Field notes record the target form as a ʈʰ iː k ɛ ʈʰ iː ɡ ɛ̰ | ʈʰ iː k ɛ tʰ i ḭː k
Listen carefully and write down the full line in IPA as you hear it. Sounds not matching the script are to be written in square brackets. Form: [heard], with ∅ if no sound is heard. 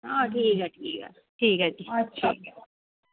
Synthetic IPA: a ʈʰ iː k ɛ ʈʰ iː [k] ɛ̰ | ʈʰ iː k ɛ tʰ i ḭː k

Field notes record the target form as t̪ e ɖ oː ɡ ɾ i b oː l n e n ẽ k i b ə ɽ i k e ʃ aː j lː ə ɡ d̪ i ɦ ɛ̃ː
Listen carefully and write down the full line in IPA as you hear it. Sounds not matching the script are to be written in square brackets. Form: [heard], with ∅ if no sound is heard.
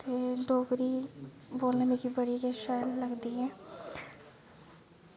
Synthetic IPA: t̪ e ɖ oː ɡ ɾ i b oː l n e [m] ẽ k i b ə ɽ i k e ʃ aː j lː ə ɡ d̪ i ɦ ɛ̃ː

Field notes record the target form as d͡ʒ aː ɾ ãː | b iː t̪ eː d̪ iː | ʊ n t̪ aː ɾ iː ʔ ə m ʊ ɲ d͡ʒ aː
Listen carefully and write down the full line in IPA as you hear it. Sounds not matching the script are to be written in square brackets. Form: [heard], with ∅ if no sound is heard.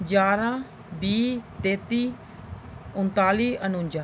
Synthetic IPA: d͡ʒ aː ɾ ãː | b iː t̪ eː [t̪] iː | ʊ n t̪ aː [l] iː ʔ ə [n] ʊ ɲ d͡ʒ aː

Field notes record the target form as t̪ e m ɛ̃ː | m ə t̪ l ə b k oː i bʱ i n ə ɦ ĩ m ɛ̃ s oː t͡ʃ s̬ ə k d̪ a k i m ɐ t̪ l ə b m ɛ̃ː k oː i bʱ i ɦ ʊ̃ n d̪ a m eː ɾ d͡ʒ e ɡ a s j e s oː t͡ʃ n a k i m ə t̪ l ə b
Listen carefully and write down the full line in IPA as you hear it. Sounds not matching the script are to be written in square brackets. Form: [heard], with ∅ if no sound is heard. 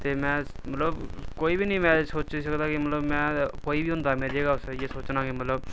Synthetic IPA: t̪ e m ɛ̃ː | m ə t̪ l ə b k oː i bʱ i n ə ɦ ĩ m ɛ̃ s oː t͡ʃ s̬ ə k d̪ a k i m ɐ t̪ l ə b m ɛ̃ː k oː i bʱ i ɦ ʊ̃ n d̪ a m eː ɾ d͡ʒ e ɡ a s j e s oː t͡ʃ n a k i m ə t̪ l ə b

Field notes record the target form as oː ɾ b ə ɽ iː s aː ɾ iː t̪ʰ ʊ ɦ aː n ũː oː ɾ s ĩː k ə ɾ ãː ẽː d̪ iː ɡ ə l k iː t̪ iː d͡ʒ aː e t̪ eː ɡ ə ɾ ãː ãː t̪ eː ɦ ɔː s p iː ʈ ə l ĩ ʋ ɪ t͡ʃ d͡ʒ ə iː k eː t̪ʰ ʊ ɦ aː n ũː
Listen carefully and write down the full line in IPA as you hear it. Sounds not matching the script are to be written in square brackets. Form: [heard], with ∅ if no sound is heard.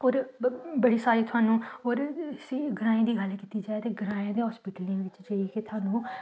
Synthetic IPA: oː ɾ b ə ɽ iː s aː ɾ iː t̪ʰ ʊ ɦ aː n ũː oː ɾ s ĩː [ɡ] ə ɾ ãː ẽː d̪ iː ɡ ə l k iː t̪ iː d͡ʒ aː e t̪ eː ɡ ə ɾ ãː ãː [d̪] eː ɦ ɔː s p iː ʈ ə l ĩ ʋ ɪ t͡ʃ d͡ʒ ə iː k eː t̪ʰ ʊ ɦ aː n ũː

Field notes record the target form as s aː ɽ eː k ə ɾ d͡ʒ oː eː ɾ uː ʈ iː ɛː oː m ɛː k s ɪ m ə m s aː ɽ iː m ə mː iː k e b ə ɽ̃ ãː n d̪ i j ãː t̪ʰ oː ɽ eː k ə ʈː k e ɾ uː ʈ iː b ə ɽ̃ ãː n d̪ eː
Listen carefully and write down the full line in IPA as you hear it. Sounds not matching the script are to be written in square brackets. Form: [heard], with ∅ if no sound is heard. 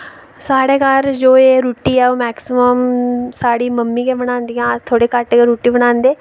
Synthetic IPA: s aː ɽ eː k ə ɾ d͡ʒ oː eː ɾ uː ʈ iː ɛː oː m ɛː k s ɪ m ə m s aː ɽ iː m ə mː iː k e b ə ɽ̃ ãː n d̪ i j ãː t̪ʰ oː ɽ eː k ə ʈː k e ɾ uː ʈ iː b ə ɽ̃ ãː n d̪ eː

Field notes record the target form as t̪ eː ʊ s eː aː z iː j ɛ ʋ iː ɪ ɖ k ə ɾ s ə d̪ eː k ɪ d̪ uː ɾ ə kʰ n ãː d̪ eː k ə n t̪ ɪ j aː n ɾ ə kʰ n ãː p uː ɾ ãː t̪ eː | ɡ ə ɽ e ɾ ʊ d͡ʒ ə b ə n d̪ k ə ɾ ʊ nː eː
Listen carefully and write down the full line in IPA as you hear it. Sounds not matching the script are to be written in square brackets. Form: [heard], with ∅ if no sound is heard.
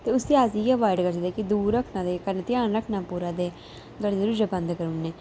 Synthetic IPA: t̪ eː ʊ s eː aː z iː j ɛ ʋ [aː] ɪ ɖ k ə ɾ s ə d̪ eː k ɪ d̪ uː ɾ ə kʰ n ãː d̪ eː k ə n t̪ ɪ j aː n ɾ ə kʰ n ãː p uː ɾ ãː [d̪] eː | ɡ ə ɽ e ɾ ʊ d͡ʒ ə b ə n d̪ k ə ɾ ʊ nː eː

